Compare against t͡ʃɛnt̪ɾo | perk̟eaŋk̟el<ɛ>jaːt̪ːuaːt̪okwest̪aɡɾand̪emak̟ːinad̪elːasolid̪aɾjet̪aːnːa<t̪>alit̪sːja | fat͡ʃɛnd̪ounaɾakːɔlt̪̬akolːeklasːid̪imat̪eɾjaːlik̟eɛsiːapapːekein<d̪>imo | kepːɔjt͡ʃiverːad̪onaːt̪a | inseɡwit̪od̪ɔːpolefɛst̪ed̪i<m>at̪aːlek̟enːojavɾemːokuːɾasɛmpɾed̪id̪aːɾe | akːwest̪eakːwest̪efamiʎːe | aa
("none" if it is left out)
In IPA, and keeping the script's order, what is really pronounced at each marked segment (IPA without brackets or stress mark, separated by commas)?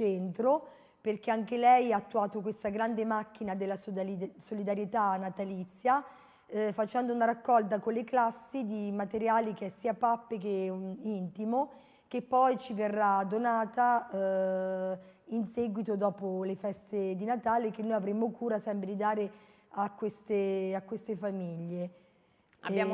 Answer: ɛ, t̪, t̪, n